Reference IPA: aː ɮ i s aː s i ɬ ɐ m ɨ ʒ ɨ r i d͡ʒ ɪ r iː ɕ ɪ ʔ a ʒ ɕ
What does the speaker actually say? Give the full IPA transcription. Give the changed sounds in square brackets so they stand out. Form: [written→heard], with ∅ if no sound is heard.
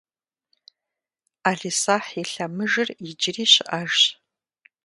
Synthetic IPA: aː ɮ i s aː [s→ħ] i ɬ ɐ m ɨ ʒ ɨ r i d͡ʒ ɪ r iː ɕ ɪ ʔ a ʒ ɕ